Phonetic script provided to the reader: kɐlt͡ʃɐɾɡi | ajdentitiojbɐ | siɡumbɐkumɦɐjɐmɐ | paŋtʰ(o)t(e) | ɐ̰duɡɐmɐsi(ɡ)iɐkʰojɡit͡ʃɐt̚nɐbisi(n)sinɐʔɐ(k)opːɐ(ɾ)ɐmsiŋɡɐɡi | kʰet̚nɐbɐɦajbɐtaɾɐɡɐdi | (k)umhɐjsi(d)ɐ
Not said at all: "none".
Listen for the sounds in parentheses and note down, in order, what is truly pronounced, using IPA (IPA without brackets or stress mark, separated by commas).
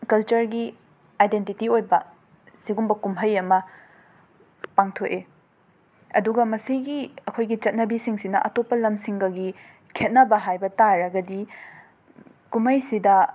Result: o, e, ɡ, ŋ, t, l, k, d